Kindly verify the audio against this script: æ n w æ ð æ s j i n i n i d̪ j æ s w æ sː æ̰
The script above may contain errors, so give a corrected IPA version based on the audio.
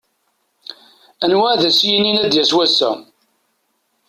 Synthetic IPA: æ n w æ ð æ s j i n i n æ d̪ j æ s w æ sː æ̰